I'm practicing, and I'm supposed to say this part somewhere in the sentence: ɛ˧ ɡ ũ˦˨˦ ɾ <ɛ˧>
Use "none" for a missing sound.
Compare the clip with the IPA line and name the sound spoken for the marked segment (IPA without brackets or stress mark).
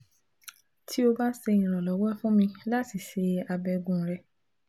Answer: ɛ˧